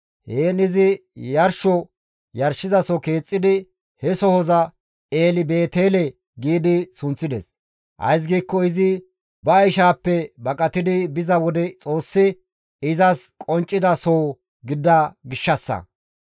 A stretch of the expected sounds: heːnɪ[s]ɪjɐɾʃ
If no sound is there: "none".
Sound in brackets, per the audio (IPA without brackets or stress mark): z